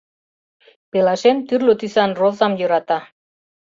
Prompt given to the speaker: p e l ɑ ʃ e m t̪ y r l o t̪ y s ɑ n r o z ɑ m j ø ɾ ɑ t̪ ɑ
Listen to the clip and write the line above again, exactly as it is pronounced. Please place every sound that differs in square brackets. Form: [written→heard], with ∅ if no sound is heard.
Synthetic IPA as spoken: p e l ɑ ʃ e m t̪ y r l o t̪ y s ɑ n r o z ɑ m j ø ɾ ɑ t̪ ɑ